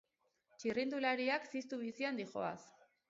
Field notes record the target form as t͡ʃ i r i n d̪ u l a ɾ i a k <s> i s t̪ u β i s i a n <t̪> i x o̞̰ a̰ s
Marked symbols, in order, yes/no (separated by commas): yes, no